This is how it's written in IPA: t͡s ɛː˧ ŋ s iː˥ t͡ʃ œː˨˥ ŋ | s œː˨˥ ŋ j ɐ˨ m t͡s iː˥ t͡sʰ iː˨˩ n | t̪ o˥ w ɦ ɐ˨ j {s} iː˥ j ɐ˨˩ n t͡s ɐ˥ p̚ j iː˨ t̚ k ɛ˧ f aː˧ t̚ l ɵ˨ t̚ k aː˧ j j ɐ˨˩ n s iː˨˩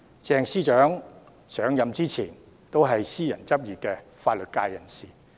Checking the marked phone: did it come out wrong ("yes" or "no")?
no